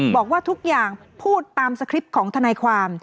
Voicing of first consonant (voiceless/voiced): voiced